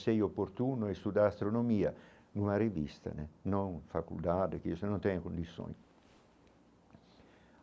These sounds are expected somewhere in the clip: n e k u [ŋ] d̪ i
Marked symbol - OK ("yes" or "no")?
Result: no